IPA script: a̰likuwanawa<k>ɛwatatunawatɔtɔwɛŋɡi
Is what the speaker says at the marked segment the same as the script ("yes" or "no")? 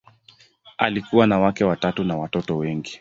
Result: yes